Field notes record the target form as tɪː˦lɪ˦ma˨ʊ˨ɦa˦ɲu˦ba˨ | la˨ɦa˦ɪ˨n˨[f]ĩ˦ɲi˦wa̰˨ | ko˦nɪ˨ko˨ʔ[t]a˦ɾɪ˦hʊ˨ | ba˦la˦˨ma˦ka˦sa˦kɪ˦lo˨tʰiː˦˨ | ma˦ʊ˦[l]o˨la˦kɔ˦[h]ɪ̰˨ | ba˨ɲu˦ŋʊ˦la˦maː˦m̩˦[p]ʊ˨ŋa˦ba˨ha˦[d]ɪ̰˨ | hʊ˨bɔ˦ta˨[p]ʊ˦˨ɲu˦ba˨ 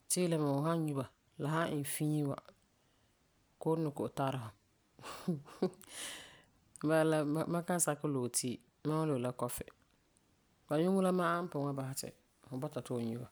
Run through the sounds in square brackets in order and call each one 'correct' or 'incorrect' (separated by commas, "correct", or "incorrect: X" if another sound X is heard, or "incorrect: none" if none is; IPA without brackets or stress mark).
correct, correct, correct, incorrect: f, correct, incorrect: t, incorrect: t